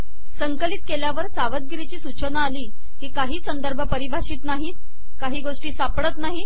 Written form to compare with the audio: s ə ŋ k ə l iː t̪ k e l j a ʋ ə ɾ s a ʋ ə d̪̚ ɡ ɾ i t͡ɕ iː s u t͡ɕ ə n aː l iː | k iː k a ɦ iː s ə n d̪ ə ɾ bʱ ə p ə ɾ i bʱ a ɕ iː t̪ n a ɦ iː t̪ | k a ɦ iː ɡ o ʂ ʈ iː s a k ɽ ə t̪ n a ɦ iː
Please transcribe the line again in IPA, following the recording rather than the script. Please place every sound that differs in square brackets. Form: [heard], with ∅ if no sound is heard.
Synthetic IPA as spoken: s ə ŋ k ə l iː t̪ k e l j a ʋ ə ɾ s a ʋ ə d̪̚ ɡ ɾ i t͡ɕ iː s u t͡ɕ ə n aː l iː | k iː k a ɦ iː s ə n d̪ ə ɾ bʱ ə p ə ɾ i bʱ a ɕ iː t̪ n a ɦ iː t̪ | k a ɦ iː ɡ o ʂ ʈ iː s a [p] ɽ ə t̪ n a ɦ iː